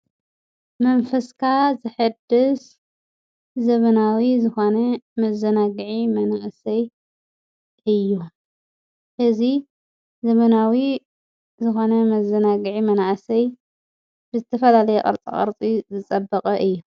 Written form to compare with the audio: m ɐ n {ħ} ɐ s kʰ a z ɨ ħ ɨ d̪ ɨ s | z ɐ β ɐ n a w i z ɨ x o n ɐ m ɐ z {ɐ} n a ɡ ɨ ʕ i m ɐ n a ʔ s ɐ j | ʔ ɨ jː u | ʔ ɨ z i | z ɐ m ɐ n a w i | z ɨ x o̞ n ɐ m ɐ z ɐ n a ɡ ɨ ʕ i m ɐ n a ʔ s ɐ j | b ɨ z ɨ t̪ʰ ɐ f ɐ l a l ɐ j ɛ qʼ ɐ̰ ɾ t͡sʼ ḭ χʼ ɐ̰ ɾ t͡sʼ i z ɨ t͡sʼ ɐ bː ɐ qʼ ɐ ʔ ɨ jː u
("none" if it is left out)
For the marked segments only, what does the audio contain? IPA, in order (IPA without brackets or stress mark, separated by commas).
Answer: f, ɐ